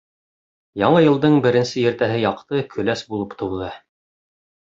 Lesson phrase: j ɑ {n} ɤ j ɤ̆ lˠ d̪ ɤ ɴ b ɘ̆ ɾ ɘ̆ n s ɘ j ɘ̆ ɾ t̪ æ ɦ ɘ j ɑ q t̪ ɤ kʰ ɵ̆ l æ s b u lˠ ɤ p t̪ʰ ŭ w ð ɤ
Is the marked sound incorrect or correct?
incorrect